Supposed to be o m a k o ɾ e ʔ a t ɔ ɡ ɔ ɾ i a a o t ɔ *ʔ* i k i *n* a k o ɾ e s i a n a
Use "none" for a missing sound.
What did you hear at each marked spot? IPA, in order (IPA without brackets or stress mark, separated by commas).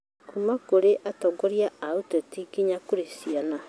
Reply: t, ɲ